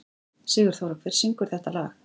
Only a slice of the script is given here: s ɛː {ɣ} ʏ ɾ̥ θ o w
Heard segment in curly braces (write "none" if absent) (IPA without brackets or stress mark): ɣ